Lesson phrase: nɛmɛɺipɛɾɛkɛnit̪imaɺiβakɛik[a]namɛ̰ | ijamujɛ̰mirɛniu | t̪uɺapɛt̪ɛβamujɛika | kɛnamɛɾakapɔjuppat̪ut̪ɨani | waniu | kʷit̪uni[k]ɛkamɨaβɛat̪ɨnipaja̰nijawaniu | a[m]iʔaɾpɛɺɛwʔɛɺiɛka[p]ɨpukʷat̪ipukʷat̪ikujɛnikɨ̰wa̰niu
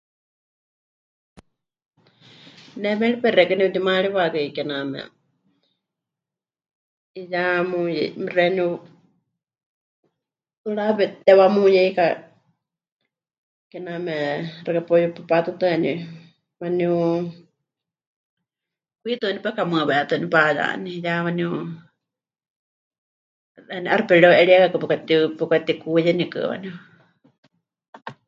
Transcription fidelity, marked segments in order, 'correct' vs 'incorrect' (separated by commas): incorrect, incorrect, incorrect, incorrect